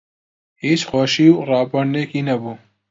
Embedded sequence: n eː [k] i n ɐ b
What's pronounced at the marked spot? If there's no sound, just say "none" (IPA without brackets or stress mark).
k